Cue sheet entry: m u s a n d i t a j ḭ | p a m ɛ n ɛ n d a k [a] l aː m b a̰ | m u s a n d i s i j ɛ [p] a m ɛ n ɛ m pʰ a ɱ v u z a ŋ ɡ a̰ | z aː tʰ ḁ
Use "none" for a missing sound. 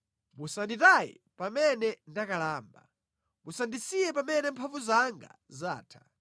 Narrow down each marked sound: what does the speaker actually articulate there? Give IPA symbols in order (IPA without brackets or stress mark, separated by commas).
a, p